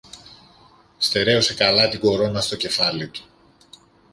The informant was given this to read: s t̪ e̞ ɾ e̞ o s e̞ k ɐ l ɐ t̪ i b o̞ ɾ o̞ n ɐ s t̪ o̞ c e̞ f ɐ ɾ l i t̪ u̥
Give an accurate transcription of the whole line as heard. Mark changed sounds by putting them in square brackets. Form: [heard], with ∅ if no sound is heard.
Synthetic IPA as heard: s t̪ e̞ ɾ e̞ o s e̞ k ɐ l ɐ t̪ i [ɡ] o̞ ɾ o̞ n ɐ s t̪ o̞ c e̞ f ɐ [∅] l i t̪ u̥